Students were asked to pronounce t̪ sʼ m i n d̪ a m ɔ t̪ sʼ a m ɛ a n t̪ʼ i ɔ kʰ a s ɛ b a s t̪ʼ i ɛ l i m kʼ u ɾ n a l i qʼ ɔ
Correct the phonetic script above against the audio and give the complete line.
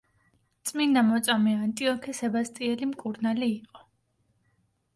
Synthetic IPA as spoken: t̪ sʼ m i n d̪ a m ɔ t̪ sʼ a m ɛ a n t̪ʼ i ɔ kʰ ɛ s ɛ b a s t̪ʼ i ɛ l i m kʼ u ɾ n a l iː qʼ ɔ